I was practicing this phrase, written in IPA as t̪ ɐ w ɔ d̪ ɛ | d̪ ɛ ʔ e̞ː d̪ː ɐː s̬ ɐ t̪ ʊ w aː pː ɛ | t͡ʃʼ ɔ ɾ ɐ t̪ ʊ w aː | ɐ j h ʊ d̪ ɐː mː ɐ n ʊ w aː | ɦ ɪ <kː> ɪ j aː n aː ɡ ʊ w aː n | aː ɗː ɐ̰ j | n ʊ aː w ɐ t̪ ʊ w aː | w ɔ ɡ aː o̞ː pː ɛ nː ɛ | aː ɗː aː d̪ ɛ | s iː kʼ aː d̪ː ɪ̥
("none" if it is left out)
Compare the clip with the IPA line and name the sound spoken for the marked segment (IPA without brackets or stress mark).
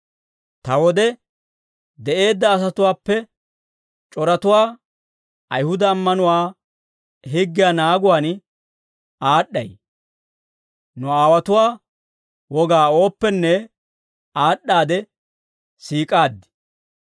ɡː